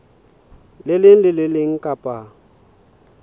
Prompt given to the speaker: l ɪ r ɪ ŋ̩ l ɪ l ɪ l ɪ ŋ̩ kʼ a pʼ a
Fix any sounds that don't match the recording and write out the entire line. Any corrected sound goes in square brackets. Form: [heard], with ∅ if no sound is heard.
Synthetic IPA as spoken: l ɪ [l] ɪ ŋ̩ l ɪ l ɪ l ɪ ŋ̩ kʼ a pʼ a